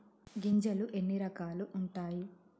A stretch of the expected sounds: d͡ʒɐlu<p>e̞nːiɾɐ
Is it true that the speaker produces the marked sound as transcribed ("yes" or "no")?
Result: no